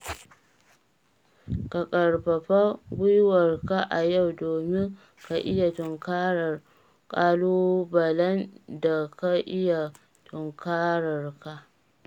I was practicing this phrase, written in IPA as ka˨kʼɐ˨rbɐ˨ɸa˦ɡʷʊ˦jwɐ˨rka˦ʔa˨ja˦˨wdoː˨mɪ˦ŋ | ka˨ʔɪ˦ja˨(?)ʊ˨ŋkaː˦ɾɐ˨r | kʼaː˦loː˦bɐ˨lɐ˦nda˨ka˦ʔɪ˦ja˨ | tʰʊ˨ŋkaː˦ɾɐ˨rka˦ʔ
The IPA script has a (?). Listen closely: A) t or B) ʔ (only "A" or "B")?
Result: A